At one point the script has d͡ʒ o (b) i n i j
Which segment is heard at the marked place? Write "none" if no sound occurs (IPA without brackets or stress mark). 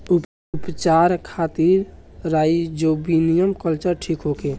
b